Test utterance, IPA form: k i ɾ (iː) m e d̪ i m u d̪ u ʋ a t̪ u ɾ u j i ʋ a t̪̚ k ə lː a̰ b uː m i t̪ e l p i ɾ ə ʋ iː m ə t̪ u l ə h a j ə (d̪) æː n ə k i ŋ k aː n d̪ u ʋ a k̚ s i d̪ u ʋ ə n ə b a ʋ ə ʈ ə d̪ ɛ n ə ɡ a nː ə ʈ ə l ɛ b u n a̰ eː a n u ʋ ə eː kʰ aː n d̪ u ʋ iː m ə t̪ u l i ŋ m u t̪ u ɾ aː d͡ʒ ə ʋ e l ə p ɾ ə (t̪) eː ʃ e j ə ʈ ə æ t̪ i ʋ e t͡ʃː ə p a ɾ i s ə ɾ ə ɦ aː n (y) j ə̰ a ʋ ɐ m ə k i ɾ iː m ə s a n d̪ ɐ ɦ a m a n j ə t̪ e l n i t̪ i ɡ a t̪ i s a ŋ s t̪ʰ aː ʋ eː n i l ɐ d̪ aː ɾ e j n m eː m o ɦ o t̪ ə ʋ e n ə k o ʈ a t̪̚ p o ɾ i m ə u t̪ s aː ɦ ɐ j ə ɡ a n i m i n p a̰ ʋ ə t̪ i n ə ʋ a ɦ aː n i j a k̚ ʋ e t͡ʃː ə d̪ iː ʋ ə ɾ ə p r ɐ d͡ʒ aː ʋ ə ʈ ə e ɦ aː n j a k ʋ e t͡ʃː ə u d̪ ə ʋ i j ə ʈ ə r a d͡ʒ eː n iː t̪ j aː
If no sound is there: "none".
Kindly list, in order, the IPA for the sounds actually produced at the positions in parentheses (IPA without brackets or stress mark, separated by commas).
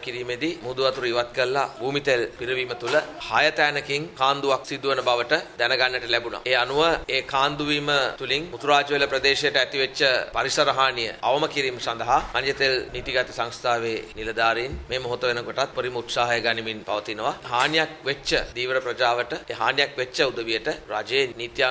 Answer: iː, t̪, d̪, i